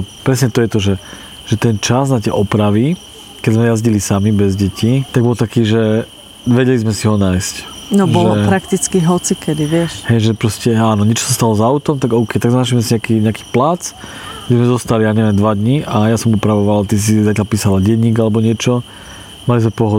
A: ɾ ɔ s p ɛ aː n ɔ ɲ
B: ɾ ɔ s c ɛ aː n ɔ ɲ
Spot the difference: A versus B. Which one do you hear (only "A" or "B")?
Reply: B